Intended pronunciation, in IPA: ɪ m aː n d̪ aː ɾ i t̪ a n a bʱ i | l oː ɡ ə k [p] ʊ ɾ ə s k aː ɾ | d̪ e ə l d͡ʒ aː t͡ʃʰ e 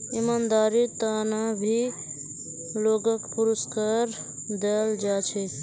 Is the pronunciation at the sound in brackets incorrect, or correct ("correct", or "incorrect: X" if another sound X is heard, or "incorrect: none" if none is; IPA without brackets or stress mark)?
correct